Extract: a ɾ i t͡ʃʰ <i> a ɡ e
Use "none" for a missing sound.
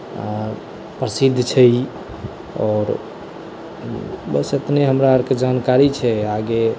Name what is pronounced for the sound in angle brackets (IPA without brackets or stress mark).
ɛ